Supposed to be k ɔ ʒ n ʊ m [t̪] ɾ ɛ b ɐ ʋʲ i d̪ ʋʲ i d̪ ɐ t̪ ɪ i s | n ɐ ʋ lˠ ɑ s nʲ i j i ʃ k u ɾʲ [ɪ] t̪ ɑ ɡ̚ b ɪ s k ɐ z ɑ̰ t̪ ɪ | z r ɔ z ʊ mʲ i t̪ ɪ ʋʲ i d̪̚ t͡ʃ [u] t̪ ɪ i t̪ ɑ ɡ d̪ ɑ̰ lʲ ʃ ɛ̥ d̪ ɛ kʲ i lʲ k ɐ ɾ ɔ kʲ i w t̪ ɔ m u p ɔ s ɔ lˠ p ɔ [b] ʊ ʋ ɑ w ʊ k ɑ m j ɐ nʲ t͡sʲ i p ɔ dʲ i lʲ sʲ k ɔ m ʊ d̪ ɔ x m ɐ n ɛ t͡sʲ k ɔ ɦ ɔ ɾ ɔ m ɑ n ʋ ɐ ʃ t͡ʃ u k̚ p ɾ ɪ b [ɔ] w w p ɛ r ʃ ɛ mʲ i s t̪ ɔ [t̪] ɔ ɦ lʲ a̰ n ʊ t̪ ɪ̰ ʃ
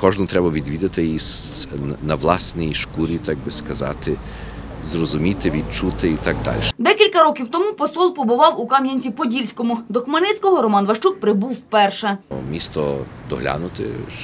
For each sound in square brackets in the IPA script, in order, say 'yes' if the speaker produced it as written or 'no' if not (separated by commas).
yes, no, yes, yes, no, no